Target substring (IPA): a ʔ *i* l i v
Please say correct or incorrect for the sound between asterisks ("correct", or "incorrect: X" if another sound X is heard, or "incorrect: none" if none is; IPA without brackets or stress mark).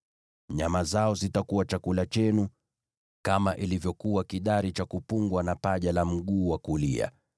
correct